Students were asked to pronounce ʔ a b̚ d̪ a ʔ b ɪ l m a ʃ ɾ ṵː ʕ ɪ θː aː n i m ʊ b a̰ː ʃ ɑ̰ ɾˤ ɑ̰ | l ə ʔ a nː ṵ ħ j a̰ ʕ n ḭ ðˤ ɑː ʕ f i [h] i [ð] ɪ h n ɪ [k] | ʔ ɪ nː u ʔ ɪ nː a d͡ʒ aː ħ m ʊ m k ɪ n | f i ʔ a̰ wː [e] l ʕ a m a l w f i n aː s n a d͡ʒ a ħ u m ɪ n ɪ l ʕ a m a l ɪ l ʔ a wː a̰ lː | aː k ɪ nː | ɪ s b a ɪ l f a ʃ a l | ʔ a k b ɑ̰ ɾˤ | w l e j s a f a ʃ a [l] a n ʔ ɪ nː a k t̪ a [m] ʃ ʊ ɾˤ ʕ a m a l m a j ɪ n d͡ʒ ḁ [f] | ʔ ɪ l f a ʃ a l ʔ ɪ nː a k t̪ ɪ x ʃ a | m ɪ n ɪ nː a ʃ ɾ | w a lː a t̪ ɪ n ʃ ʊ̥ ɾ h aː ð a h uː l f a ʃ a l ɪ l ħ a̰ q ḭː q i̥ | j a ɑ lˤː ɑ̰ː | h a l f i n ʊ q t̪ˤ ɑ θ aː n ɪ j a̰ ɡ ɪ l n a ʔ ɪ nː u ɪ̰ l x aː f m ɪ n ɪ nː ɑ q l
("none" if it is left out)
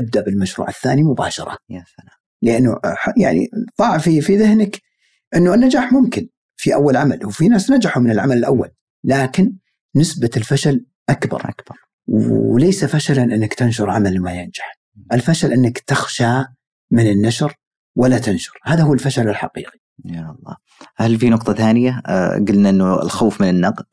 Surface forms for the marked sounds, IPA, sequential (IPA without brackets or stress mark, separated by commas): f, ð, k, a, l, n, ħ